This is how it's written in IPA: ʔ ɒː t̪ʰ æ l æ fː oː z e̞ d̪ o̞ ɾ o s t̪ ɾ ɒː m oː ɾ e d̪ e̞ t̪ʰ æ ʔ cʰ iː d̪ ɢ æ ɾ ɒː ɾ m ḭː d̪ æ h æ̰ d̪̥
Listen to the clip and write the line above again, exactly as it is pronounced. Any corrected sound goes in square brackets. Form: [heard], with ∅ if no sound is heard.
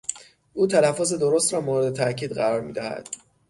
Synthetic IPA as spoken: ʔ [uː] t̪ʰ æ l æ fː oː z e̞ d̪ o̞ ɾ o s t̪ ɾ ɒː m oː ɾ e d̪ e̞ t̪ʰ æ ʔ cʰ iː d̪ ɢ æ ɾ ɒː ɾ m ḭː d̪ æ h æ̰ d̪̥